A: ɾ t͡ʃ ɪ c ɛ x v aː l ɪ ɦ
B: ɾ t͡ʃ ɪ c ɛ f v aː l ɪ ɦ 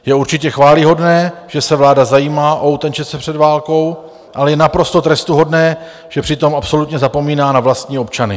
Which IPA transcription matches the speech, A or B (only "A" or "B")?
A